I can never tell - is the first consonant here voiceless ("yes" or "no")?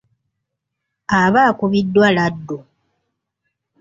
no